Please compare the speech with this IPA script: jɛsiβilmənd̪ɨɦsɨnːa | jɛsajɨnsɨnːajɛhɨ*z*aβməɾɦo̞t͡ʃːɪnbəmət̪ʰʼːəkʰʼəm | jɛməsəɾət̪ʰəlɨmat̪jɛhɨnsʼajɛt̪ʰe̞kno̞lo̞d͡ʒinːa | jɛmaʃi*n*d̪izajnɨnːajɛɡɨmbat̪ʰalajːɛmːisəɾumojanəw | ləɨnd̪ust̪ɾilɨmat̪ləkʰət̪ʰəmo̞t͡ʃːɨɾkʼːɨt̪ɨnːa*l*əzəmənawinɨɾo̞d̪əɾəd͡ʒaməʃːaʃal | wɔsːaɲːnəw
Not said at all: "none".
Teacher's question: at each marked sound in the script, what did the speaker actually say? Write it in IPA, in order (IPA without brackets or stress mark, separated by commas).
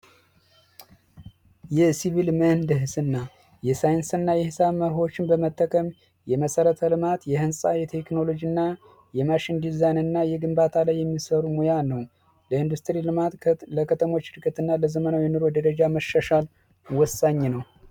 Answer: s, n, l